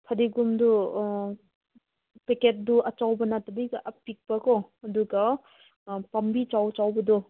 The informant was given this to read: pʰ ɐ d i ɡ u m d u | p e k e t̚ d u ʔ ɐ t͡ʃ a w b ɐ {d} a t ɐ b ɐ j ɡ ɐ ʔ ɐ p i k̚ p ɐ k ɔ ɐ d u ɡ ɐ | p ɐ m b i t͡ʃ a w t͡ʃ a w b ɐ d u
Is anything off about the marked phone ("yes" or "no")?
yes